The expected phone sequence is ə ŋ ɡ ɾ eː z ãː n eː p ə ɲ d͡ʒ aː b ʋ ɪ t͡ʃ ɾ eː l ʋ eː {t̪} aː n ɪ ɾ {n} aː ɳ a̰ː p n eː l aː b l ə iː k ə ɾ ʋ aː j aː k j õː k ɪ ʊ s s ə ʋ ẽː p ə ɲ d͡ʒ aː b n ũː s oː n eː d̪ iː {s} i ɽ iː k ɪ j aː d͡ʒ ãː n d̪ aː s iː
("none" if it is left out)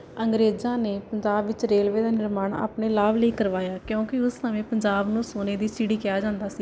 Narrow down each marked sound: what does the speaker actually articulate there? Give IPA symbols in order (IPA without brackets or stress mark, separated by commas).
d̪, m, s